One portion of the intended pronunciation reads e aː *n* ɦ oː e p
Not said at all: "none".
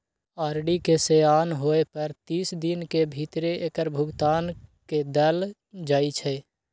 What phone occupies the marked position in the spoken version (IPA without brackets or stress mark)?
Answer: n